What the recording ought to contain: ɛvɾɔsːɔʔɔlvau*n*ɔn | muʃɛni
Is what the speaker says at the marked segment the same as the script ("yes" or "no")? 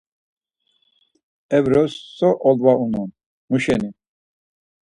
yes